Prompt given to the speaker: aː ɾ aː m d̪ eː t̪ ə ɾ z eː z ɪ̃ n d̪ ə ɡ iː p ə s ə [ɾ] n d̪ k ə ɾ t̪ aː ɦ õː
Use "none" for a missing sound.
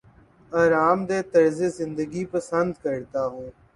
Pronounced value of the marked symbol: none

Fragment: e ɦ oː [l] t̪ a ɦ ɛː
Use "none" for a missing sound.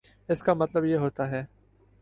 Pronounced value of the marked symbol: none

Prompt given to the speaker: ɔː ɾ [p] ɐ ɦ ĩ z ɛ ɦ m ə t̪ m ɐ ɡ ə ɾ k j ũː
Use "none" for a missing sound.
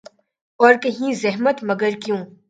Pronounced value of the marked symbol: k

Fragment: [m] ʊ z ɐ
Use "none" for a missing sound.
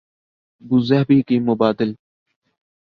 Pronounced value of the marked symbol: b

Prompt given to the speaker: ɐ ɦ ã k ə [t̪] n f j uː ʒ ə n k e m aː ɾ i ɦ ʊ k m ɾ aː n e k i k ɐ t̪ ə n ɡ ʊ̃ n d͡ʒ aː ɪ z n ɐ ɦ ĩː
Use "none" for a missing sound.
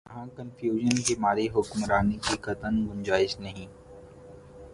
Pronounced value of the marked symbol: none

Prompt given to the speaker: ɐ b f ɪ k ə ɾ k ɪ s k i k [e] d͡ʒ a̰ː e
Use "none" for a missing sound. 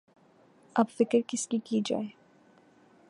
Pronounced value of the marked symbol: i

